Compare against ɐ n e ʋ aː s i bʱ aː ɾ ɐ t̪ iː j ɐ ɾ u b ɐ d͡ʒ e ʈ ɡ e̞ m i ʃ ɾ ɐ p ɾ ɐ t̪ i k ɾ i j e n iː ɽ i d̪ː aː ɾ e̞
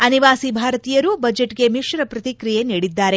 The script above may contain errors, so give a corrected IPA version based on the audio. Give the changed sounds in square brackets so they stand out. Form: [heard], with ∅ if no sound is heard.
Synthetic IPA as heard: ɐ n [i] ʋ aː s i bʱ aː ɾ ɐ t̪ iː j ɐ ɾ u b ɐ d͡ʒ e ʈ ɡ e̞ m i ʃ ɾ ɐ p ɾ ɐ t̪ i k ɾ i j e n iː ɽ i d̪ː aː ɾ e̞